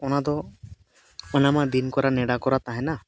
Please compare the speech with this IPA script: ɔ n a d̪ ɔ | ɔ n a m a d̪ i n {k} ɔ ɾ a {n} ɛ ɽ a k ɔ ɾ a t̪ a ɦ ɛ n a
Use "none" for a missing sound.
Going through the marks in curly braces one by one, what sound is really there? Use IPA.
k, n

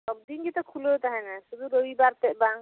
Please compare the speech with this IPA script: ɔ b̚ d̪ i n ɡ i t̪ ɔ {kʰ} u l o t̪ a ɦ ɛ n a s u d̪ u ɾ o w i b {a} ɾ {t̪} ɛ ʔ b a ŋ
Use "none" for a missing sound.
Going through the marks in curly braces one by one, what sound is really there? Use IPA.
kʰ, a, t̪

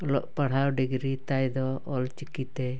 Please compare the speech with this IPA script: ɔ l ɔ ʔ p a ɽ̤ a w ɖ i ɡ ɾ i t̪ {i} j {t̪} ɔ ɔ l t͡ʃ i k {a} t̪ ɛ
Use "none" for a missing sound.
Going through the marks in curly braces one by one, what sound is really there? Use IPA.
a, d̪, i

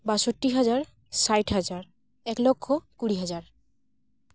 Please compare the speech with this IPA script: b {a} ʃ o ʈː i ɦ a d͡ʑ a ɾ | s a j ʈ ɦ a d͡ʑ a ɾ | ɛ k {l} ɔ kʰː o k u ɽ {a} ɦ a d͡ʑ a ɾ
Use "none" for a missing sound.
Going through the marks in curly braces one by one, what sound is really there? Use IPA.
a, l, i

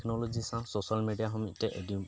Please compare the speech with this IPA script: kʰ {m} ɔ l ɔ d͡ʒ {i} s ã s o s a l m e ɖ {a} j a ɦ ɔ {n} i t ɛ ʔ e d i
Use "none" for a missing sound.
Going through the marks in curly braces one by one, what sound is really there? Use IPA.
n, i, i, m

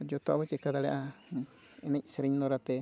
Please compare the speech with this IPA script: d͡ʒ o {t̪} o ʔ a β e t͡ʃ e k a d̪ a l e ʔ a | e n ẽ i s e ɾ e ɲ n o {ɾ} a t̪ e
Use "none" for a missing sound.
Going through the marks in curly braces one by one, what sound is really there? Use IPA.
t̪, ɾ

